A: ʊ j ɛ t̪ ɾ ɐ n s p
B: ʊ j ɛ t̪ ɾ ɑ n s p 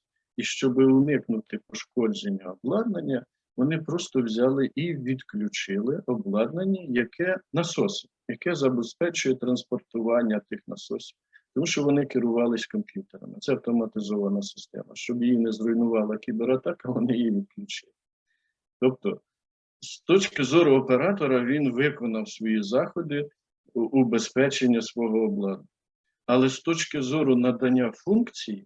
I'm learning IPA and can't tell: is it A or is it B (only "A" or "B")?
A